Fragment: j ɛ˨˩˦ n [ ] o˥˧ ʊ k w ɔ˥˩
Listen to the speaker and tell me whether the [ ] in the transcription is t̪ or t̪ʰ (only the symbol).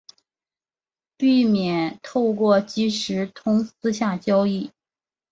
t̪ʰ